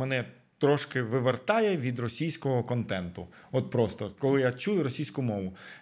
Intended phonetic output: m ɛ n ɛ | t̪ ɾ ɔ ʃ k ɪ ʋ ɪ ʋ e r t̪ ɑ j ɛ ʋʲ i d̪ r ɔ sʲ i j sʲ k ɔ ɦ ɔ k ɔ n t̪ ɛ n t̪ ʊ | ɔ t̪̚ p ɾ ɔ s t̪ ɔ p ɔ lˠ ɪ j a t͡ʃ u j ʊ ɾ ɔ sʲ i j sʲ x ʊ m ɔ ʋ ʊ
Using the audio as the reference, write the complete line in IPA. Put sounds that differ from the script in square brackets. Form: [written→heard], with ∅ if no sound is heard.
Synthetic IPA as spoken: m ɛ n ɛ | t̪ ɾ ɔ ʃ k ɪ ʋ ɪ ʋ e r t̪ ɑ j ɛ ʋʲ i d̪ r ɔ sʲ i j sʲ k ɔ ɦ ɔ k ɔ n t̪ ɛ n t̪ ʊ | ɔ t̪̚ p ɾ ɔ s t̪ ɔ [p→k] ɔ lˠ ɪ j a t͡ʃ u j ʊ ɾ ɔ sʲ i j sʲ [x→k] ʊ m ɔ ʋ ʊ